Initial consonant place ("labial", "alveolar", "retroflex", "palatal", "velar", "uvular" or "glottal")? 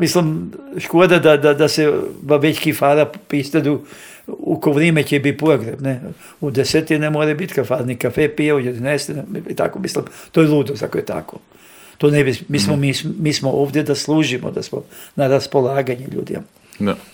labial